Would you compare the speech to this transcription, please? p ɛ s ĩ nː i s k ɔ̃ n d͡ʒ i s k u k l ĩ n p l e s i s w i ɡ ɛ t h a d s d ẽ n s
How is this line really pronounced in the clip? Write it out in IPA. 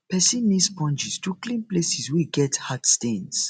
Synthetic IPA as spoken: p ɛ s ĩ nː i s p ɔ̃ n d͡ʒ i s t u k l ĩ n p l e s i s w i ɡ ɛ t h a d s t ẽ n s